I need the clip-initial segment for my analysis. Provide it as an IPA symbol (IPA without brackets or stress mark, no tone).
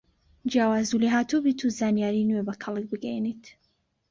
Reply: d͡ʒ